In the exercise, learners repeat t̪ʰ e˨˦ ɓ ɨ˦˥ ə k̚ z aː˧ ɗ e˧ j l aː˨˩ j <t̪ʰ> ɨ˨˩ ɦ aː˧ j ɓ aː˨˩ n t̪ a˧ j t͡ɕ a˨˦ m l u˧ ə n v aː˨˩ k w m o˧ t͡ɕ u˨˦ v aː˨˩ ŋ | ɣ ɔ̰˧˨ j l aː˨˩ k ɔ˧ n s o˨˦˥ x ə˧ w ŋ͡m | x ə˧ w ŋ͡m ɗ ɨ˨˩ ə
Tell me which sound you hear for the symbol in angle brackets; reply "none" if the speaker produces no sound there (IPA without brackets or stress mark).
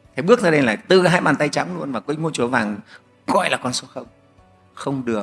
t̪